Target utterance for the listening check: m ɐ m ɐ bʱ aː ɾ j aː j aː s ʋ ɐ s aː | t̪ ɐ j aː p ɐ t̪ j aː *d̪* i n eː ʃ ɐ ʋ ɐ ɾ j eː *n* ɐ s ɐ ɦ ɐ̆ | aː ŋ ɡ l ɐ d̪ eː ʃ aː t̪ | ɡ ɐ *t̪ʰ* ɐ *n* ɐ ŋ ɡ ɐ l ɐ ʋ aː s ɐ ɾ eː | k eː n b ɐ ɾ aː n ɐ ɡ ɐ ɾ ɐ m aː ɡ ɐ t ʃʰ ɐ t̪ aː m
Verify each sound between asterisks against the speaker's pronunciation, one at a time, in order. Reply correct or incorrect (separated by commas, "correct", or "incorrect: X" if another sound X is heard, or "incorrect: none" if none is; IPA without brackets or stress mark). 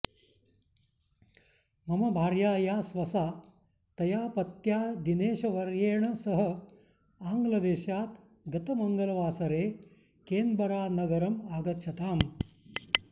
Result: correct, incorrect: ɳ, incorrect: t̪, incorrect: m